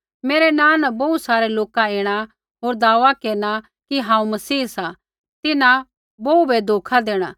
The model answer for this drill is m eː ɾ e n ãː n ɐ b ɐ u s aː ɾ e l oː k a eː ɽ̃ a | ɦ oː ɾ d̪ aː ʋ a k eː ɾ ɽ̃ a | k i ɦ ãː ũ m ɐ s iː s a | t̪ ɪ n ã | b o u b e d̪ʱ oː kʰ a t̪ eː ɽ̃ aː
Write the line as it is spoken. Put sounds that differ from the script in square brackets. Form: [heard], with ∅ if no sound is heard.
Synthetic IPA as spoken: m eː ɾ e n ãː n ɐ b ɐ u s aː ɾ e l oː k a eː ɽ̃ a | ɦ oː ɾ d̪ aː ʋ a k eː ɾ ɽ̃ a | k i ɦ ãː ũ m ɐ s iː s a | t̪ ɪ n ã | b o u b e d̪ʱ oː kʰ a [d̪] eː ɽ̃ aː